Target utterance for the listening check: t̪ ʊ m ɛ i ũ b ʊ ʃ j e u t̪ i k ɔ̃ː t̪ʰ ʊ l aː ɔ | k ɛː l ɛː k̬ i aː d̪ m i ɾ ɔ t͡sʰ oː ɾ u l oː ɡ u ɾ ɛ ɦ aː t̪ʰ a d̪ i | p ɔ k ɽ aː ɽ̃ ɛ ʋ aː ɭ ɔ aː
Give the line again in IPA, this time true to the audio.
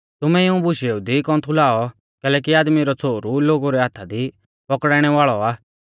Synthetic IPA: t̪ ʊ m ɛ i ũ b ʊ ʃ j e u d̪ i k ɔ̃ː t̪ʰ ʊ l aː ɔ | k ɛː l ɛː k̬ i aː d̪ m i ɾ ɔ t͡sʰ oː ɾ u l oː ɡ u ɾ ɛ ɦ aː t̪ʰ a d̪ i | p ɔ k ɽ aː ɽ̃ ɛ ʋ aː ɭ ɔ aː